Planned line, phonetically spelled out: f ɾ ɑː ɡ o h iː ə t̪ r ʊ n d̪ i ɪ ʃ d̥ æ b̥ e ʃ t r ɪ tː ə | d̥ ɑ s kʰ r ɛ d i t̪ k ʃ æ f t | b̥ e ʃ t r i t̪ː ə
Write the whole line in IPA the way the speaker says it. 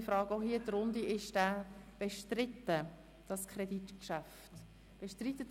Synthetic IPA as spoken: f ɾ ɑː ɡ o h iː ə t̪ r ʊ n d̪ i ɪ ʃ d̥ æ b̥ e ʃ t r ɪ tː ə | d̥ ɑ s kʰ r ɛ d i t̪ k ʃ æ f t | b̥ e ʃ t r i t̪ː ə